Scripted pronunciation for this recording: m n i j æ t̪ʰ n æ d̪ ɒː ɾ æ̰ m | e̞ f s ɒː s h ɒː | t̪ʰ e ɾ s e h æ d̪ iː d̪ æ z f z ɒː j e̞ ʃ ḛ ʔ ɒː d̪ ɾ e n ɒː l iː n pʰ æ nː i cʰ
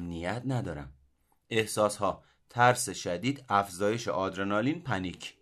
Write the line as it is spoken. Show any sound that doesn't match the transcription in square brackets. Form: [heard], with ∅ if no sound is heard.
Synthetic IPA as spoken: m n i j æ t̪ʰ n æ d̪ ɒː ɾ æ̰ m | e̞ [h] s ɒː s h ɒː | t̪ʰ [æ] ɾ s e [ʃ] æ d̪ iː d̪ æ [∅] f z ɒː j e̞ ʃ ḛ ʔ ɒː d̪ ɾ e n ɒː l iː n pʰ æ [n] i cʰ